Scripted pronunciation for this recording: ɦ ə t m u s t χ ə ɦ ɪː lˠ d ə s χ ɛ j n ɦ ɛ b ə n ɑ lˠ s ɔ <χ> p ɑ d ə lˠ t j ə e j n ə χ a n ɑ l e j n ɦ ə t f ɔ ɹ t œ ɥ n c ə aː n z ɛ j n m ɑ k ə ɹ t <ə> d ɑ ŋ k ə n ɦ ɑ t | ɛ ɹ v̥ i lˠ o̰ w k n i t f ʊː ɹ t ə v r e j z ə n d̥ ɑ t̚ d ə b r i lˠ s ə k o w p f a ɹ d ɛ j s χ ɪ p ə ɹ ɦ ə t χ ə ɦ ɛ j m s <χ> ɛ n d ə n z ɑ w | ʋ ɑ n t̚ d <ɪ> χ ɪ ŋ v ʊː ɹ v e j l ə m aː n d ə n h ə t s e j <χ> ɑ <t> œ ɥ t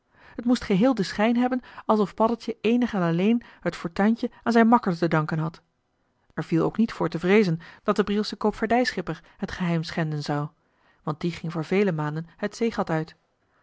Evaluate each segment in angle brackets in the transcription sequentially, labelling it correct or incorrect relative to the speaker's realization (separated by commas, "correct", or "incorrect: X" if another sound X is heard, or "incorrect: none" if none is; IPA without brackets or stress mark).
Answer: incorrect: f, correct, correct, incorrect: i, correct, correct